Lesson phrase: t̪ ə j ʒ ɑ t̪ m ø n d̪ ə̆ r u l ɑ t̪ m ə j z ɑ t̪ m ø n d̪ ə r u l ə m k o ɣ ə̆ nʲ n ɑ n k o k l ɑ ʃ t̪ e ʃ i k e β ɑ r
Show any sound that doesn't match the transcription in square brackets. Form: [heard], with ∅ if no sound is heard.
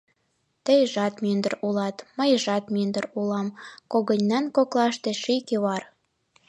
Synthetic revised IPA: t̪ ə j ʒ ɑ t̪ m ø n d̪ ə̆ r u l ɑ t̪ m ə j [ʒ] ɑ t̪ m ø n d̪ ə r u l [ɑ] m k o ɣ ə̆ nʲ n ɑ n k o k l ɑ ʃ t̪ e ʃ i k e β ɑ r